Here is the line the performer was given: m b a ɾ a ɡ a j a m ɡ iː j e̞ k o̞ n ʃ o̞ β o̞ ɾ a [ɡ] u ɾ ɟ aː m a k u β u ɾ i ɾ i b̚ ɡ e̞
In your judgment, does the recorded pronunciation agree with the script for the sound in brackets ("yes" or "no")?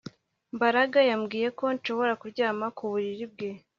no